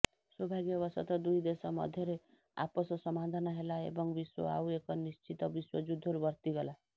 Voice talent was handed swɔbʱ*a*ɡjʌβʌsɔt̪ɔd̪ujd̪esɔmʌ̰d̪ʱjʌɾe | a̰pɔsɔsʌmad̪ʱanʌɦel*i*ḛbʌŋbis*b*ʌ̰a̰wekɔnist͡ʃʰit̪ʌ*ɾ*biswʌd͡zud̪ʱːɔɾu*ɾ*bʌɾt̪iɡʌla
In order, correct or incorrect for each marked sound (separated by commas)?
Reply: correct, incorrect, incorrect, incorrect, incorrect